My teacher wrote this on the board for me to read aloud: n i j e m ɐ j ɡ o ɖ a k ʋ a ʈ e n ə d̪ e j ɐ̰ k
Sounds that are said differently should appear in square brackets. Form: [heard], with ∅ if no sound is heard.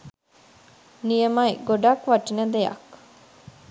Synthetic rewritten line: n i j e m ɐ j ɡ o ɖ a k ʋ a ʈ [i] n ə d̪ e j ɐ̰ k